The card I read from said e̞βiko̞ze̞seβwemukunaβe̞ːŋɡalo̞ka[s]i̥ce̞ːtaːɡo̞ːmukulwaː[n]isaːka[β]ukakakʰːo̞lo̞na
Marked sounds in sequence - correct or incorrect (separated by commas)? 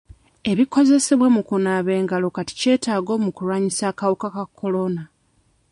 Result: incorrect, incorrect, incorrect